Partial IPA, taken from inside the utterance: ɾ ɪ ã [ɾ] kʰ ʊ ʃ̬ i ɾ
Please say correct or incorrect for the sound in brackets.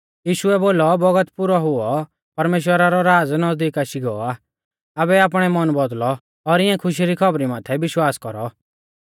incorrect